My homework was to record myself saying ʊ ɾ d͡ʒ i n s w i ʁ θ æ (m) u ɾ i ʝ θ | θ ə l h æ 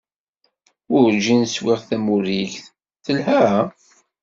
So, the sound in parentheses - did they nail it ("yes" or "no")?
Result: yes